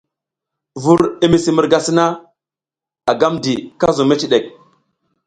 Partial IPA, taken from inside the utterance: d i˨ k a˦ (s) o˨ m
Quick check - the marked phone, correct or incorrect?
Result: incorrect